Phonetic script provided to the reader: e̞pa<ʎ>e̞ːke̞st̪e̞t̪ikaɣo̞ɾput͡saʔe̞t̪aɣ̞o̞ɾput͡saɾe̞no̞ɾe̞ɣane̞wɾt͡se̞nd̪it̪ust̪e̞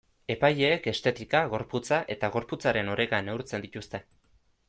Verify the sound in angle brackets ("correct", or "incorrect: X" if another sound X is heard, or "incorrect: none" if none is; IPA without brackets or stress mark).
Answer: incorrect: j